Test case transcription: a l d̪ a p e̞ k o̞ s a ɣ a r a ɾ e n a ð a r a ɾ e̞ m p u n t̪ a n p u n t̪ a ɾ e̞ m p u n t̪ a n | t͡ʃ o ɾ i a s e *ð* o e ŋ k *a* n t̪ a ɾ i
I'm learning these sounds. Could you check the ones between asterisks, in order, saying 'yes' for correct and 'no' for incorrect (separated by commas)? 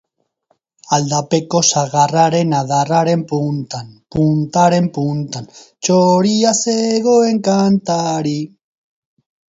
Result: no, yes